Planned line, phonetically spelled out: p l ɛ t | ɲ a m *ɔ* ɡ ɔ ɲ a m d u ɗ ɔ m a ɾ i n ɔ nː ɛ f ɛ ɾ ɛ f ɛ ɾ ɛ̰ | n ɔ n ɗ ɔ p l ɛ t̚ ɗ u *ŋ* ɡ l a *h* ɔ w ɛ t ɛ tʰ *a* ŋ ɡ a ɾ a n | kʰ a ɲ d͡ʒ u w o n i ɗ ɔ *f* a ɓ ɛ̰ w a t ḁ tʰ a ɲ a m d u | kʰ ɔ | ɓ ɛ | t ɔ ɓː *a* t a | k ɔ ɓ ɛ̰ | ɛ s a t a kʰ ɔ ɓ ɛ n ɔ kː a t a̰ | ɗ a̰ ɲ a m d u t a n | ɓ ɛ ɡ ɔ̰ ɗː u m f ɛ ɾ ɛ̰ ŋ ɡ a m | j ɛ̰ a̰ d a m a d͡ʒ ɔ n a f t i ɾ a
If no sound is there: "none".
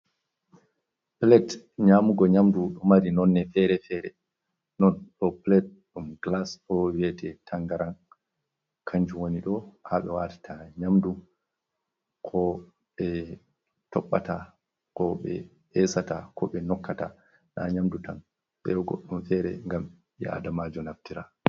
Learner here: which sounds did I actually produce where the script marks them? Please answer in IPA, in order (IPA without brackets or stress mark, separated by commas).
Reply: u, m, s, a, h, a